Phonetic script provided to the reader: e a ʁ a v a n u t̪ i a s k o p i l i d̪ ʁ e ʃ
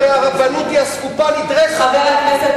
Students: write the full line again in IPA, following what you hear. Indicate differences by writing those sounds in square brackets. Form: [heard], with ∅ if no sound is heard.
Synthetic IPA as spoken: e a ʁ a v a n u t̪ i a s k [u] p [a] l i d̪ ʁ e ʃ